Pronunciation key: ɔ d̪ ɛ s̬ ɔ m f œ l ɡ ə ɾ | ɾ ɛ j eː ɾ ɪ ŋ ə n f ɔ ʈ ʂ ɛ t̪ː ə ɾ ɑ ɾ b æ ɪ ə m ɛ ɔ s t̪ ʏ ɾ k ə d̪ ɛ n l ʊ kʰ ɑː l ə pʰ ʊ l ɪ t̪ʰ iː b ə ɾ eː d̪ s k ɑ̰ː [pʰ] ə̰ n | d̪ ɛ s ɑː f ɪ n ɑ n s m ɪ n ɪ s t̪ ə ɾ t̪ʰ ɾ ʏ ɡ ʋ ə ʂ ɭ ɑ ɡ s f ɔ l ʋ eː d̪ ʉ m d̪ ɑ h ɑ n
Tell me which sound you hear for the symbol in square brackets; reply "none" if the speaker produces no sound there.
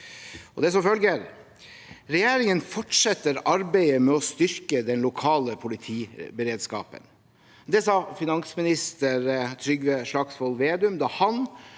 p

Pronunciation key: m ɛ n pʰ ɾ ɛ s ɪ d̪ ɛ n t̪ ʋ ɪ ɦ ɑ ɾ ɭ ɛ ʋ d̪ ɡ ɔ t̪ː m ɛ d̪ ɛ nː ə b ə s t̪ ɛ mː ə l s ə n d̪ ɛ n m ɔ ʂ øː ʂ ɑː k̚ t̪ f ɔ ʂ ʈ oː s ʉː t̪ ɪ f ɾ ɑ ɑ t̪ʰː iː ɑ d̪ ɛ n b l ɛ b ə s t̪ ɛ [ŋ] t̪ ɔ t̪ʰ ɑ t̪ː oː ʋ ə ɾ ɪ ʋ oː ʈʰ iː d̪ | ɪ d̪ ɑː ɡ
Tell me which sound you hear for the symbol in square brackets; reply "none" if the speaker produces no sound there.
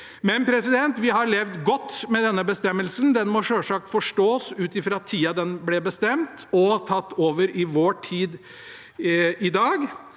m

